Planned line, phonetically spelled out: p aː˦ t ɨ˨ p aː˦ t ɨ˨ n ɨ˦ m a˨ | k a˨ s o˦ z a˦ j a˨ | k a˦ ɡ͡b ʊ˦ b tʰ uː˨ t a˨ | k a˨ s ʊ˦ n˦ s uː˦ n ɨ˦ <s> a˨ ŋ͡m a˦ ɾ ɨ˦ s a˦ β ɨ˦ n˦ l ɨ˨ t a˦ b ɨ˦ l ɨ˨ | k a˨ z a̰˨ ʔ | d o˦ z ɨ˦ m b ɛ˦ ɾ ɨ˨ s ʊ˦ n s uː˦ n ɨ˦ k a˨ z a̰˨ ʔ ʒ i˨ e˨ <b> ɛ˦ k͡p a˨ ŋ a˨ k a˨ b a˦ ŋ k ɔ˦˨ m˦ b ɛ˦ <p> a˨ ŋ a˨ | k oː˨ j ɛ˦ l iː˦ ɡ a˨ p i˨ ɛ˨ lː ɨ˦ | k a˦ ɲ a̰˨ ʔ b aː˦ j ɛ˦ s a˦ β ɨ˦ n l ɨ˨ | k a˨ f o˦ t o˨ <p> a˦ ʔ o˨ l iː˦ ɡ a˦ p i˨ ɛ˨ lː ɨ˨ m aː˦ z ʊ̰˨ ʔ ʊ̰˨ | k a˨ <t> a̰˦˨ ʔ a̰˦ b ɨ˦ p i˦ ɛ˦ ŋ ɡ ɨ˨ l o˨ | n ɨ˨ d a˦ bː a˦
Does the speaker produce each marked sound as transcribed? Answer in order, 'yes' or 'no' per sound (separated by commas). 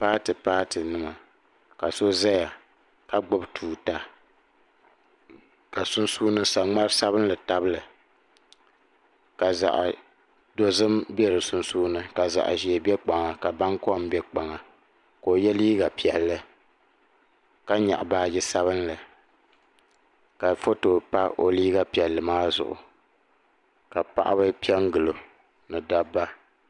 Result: yes, yes, no, yes, no